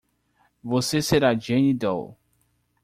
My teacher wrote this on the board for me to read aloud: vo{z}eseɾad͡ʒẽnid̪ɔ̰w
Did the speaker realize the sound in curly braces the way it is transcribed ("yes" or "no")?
no